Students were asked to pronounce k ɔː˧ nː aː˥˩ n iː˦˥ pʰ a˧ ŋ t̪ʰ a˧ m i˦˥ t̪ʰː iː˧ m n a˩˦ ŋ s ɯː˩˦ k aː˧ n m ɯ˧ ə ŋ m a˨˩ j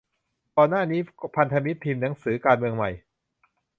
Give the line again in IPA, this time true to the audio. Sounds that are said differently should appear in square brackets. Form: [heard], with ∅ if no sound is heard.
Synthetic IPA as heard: k ɔː˧ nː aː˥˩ n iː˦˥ pʰ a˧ [n] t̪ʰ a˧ m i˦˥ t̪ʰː iː˧ m n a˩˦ ŋ s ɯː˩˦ k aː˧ n m ɯ˧ ə ŋ m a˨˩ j